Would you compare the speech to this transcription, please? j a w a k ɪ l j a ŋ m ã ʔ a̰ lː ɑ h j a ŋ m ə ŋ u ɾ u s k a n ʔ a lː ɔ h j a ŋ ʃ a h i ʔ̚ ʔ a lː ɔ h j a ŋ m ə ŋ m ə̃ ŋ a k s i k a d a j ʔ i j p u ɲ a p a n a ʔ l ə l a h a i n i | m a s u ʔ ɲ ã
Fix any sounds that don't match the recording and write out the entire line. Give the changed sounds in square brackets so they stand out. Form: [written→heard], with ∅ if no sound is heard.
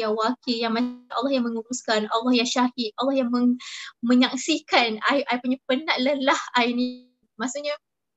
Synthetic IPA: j a w a k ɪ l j a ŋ m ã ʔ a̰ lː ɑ h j a ŋ m ə ŋ u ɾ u s k a n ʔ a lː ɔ h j a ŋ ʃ a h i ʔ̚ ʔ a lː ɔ h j a ŋ m ə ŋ m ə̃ [ŋ→ɲ] a k s i k a [d→n] a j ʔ [i→a] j p u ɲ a p [a→ə] n a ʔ l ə l a h a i n i | m a s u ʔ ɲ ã